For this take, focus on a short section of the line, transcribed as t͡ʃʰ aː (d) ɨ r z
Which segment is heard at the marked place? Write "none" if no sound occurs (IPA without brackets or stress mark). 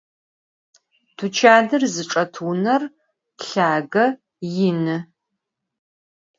d